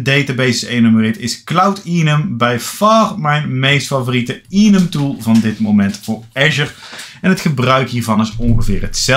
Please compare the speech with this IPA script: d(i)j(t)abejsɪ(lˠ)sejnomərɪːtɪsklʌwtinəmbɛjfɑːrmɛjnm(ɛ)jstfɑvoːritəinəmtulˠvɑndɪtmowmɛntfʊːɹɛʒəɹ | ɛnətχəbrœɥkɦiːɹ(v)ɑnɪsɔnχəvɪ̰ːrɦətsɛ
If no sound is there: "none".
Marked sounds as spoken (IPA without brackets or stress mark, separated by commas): e, t, none, e, v